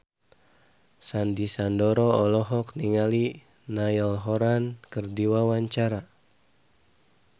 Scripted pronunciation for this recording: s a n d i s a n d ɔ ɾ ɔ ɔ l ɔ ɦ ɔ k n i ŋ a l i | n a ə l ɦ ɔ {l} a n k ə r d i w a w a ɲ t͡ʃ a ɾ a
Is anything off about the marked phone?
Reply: yes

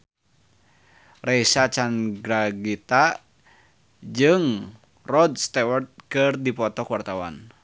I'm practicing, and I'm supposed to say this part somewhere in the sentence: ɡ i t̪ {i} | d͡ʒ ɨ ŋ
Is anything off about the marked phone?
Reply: yes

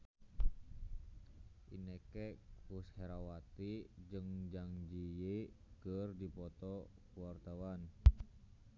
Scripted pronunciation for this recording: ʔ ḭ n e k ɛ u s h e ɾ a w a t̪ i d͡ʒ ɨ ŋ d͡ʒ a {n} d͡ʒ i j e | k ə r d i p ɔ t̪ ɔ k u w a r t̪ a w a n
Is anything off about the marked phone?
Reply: yes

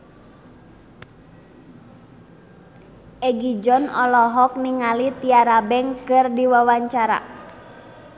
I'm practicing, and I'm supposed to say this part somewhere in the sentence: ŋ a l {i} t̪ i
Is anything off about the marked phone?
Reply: no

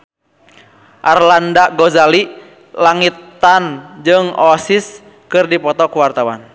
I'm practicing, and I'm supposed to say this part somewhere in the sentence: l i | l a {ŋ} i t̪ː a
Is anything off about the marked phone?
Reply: no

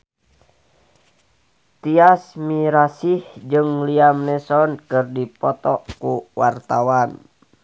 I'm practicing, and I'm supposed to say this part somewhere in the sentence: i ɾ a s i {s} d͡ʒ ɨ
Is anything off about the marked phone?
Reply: yes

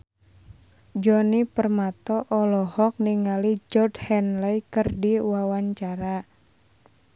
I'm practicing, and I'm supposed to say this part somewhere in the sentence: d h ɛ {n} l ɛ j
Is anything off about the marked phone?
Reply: no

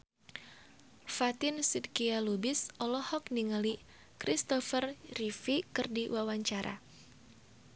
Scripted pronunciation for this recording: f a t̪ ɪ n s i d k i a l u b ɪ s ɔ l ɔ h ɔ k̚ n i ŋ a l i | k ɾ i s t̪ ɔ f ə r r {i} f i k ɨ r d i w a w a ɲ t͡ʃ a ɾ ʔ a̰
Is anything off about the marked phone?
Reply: no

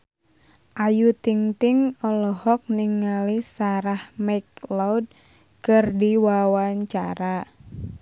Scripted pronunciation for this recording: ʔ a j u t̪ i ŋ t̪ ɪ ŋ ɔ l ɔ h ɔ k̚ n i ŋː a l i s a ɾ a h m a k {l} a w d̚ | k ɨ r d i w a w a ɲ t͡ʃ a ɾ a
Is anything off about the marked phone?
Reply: no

